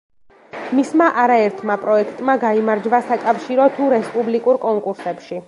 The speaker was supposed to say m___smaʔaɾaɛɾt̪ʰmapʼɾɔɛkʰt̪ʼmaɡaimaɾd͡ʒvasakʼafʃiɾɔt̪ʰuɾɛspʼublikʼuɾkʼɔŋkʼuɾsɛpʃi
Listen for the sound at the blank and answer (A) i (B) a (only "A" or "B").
A